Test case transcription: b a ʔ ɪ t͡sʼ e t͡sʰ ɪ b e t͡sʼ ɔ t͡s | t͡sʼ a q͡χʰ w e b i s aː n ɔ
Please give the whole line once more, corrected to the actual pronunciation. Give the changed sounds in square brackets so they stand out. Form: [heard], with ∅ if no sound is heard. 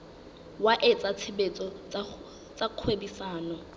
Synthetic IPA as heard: [w] a ʔ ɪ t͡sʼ [a] t͡sʰ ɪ b e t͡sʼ ɔ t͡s | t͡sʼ a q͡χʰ w e b i s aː n ɔ

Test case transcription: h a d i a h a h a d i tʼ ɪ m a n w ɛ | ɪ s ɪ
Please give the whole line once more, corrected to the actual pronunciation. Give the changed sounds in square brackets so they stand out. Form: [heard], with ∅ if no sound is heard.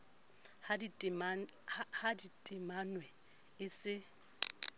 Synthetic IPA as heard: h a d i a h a h a d i tʼ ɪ m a n w ɛ | ɪ s ɪ

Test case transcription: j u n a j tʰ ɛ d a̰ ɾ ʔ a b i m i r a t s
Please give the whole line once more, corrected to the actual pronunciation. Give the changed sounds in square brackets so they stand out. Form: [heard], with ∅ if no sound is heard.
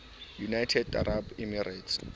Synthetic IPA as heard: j u n a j tʰ ɛ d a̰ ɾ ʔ a b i m i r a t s

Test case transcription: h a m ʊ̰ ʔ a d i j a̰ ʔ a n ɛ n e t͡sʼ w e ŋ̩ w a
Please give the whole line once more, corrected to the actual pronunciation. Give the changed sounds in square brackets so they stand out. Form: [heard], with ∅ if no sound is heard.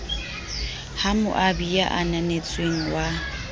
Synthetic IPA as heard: h a m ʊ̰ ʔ a [b] i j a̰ ʔ a n [a] n e t͡sʼ w e ŋ̩ w a

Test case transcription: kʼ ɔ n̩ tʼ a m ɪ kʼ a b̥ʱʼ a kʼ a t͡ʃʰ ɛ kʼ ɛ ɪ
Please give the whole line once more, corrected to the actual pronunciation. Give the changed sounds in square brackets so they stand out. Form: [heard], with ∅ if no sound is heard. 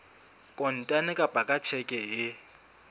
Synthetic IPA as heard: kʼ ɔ n̩ tʼ a [n] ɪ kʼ a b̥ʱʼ a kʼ a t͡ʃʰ ɛ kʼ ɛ ɪ

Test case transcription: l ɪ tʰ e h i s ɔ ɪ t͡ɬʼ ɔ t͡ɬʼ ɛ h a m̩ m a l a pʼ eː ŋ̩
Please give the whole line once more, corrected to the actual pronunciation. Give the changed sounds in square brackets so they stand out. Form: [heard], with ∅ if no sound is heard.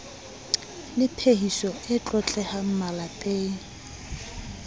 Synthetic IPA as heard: l ɪ [pʰ] e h i s ɔ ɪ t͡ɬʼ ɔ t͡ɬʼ ɛ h a m̩ m a l a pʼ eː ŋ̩

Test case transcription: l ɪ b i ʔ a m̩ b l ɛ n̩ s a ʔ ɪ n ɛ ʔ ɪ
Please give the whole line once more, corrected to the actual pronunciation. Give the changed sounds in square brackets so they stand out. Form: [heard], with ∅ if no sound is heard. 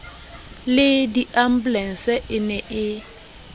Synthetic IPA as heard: l ɪ [d] i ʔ a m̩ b l ɛ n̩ s [ɛ] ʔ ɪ n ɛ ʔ ɪ

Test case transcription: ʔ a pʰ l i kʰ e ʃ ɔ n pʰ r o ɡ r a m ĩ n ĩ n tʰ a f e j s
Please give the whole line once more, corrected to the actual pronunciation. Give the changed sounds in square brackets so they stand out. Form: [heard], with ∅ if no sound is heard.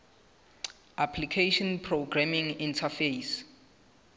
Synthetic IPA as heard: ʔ a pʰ l i kʰ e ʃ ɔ n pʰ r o ɡ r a m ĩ [ŋ] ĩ n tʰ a f e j s

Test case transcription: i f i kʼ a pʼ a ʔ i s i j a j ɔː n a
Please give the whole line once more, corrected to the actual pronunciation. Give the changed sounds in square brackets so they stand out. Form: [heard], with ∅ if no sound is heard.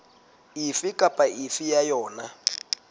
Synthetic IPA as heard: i f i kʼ a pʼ a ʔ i [f] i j a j ɔː n a

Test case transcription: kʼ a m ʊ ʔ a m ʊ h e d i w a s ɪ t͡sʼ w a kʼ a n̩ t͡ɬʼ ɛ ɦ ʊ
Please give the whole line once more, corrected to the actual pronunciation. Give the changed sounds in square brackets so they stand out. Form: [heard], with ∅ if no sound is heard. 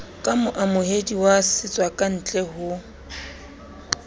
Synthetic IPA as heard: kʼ a m ʊ ʔ a m ʊ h e d i w a s ɪ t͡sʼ w a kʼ a n̩ t͡ɬʼ ɛ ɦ ʊ

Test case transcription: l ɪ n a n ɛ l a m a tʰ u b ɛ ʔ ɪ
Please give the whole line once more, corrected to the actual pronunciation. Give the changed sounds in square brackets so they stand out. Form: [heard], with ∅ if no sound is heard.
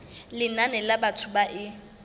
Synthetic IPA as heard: l ɪ n a n ɛ l a [b] a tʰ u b [a] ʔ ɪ

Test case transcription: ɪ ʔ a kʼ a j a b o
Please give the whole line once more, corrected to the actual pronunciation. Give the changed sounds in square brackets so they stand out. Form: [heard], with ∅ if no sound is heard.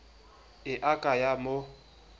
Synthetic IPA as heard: ɪ ʔ a kʼ a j a [m] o

